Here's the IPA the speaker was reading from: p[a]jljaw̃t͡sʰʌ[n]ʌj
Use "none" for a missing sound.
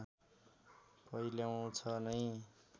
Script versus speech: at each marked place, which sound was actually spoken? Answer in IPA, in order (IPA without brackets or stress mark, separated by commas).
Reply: ʌ, n